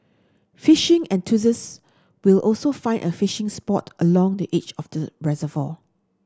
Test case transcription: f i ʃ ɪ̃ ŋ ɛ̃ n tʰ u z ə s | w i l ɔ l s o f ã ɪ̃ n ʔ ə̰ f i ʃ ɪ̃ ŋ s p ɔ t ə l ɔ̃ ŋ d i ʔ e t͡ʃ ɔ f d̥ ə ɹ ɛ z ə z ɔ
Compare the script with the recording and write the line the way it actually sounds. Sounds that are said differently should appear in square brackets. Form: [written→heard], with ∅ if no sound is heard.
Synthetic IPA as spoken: f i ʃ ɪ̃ ŋ ɛ̃ n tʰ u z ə s | w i l ɔ l s o f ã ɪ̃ n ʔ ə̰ f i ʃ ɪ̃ ŋ s p ɔ t ə l ɔ̃ ŋ d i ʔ e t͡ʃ ɔ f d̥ ə ɹ ɛ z ə [z→v] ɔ